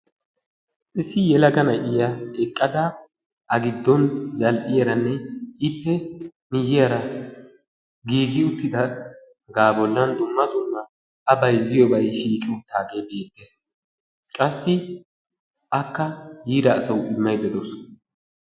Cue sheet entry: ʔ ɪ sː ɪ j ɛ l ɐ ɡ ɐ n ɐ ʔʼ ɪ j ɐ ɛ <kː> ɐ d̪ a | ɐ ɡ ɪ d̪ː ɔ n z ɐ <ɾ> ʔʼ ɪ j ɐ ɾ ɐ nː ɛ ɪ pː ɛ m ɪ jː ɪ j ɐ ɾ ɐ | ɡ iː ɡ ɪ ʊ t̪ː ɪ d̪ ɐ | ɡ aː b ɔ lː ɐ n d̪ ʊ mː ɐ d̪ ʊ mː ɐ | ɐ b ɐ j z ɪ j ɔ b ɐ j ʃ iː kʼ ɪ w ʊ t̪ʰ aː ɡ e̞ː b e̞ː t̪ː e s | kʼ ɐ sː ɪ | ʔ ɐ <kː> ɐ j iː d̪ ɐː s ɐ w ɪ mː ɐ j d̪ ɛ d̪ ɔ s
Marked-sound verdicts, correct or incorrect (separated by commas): incorrect, incorrect, correct